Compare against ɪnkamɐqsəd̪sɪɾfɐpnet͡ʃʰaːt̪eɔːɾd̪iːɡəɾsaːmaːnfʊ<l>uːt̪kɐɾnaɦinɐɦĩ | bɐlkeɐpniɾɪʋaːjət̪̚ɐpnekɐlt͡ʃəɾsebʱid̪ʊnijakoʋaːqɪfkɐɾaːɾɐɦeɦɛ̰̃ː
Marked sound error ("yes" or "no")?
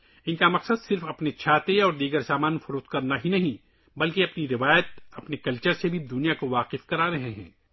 yes